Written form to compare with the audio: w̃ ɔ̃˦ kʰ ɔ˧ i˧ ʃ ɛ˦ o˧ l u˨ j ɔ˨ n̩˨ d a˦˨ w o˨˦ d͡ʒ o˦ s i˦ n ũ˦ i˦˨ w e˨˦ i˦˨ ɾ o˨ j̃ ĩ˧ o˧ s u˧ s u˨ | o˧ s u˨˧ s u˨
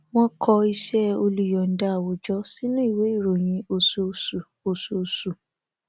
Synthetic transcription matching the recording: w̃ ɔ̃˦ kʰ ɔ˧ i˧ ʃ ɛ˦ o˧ l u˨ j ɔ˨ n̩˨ d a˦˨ w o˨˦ d͡ʒ ɔ˦ s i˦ n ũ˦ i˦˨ w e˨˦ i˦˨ ɾ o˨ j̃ ĩ˧ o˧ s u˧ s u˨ | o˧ s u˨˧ s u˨